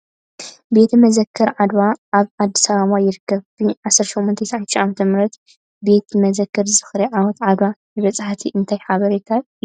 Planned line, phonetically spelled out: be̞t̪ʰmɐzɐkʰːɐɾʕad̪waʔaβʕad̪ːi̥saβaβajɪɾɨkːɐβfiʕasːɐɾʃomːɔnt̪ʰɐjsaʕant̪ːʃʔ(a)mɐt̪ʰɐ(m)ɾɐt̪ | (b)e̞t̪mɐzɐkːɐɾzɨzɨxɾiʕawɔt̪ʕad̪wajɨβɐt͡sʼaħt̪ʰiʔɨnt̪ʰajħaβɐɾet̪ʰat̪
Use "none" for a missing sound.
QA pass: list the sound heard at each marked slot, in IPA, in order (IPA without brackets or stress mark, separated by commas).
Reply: a, m, b